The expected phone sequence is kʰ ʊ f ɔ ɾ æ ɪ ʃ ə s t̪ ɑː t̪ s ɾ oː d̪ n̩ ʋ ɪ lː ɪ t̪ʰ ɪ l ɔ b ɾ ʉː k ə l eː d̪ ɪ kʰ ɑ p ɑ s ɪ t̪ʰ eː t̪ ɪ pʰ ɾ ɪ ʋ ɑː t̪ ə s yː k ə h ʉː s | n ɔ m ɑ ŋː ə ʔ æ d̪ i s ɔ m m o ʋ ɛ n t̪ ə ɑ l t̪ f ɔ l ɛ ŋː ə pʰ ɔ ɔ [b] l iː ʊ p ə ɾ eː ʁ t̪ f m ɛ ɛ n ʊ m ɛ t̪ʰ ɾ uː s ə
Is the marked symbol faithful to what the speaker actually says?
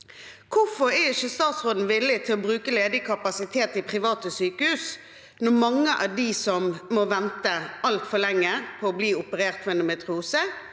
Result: yes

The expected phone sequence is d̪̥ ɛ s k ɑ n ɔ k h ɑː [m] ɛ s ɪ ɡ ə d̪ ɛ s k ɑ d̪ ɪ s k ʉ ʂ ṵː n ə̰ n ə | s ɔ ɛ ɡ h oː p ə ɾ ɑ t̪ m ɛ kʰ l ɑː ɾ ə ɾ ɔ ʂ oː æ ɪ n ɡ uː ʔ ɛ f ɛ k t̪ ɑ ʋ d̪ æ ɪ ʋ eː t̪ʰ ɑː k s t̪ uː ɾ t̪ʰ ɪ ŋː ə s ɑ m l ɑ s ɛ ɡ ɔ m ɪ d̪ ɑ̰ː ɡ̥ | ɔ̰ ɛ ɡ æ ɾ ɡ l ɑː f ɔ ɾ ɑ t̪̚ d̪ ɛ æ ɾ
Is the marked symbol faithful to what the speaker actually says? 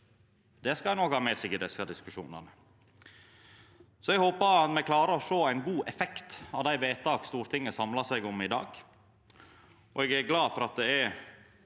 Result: yes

